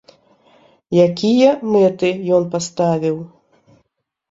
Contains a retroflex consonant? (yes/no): no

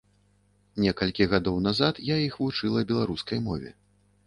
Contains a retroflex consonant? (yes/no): yes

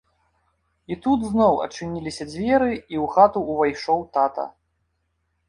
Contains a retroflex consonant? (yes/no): yes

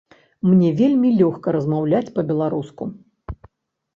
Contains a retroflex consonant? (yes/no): no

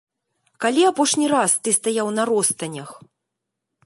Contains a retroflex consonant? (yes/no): yes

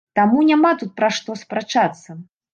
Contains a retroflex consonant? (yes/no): yes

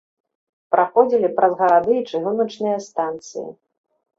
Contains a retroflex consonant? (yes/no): yes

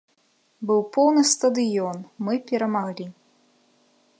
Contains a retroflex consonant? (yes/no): no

